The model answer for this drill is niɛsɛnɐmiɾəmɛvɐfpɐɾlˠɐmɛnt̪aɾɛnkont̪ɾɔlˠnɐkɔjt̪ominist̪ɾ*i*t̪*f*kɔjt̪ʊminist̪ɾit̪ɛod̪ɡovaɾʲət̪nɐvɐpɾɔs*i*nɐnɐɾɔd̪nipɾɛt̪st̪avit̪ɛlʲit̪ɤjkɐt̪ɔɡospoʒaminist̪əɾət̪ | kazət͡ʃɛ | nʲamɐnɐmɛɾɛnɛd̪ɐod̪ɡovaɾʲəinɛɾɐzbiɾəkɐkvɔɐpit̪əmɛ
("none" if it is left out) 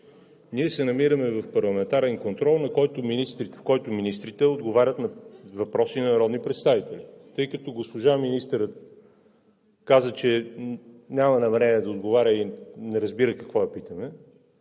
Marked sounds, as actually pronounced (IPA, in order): i, f, i

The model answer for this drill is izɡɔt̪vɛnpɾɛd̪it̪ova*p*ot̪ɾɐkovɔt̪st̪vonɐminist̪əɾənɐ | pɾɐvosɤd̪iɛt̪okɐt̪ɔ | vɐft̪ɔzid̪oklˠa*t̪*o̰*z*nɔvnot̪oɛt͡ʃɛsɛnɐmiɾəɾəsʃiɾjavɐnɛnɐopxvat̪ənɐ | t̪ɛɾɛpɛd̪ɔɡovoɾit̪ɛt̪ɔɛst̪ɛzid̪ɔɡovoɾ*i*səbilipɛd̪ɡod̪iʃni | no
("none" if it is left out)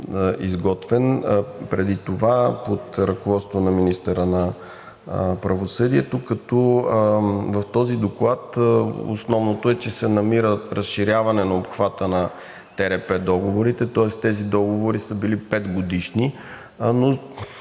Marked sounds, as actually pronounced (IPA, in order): p, t̪, s, i

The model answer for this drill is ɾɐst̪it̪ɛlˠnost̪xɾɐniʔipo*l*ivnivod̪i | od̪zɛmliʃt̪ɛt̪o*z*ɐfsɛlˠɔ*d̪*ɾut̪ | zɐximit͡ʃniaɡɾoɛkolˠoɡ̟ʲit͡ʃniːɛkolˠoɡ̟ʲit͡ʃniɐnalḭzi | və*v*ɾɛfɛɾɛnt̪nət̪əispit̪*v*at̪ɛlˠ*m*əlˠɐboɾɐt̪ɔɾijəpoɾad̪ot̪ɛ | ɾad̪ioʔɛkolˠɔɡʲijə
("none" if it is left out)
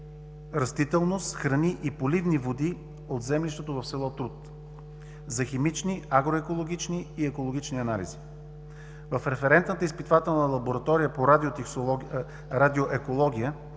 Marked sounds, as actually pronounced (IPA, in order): l, v, t̪, f, v, n

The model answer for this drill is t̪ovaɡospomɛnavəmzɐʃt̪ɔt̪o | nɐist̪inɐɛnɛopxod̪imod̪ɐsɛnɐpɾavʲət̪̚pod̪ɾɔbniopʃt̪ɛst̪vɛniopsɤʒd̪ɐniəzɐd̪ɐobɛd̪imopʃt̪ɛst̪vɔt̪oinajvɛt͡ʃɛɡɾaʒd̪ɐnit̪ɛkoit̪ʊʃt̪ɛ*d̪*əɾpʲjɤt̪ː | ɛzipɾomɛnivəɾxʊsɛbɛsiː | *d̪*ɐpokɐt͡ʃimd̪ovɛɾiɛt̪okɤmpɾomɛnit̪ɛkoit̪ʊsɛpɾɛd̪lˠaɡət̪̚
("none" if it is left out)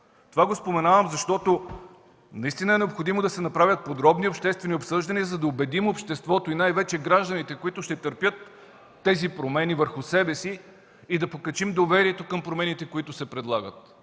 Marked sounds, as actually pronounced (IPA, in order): t̪, d̪

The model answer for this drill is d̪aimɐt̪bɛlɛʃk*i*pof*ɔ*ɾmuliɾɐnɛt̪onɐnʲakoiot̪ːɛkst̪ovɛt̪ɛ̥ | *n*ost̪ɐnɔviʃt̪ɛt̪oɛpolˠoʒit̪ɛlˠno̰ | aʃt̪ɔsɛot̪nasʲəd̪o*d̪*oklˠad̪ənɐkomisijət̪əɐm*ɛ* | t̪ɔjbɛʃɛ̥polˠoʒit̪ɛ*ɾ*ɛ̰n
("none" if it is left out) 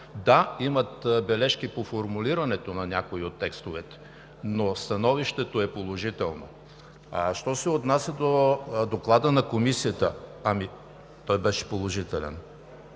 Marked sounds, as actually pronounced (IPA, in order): i, o, n, d̪, i, l

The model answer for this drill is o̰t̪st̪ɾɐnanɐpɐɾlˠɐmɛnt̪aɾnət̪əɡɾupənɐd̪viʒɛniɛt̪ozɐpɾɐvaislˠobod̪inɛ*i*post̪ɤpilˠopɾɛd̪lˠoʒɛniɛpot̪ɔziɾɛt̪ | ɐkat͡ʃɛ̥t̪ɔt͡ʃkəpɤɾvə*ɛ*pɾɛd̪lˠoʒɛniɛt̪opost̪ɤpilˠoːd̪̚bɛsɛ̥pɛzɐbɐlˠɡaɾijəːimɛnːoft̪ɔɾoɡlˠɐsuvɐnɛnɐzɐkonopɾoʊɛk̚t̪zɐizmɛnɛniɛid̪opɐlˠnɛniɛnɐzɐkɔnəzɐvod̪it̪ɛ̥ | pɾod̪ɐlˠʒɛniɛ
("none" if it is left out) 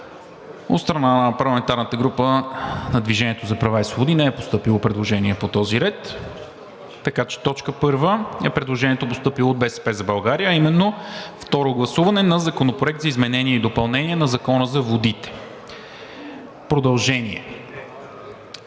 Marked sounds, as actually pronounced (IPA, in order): ɛ, ɛ

